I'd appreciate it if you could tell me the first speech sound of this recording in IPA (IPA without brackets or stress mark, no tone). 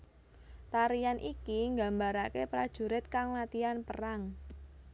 t̪